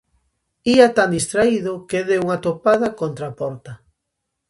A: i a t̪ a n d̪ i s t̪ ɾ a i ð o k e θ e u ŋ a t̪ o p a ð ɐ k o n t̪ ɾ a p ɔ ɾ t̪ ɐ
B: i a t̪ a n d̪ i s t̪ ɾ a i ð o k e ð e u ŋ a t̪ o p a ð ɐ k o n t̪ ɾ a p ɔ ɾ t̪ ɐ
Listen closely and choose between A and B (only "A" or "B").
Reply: B